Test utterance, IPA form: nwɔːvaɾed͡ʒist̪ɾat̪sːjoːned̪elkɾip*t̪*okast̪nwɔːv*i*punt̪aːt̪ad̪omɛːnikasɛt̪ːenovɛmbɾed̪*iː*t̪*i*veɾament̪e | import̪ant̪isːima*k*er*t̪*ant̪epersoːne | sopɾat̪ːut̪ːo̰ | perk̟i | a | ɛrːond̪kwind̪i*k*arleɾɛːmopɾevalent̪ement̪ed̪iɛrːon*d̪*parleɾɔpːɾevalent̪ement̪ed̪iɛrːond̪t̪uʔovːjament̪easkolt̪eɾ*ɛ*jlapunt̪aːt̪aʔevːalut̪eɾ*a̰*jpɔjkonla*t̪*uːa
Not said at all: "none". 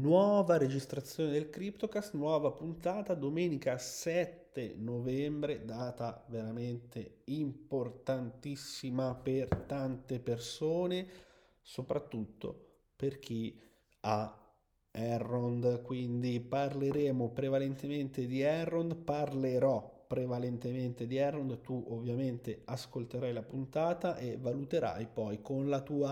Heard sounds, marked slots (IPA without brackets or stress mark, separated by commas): t̪, a, aː, a, p, t̪, p, d̪, a, a̰, t̪